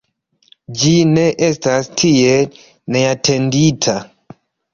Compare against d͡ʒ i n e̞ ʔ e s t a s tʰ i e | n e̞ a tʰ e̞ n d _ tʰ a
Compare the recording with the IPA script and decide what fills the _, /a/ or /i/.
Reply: i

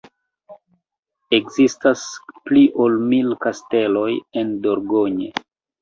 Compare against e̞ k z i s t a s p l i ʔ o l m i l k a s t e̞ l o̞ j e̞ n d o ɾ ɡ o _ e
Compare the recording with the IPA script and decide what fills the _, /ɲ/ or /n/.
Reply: ɲ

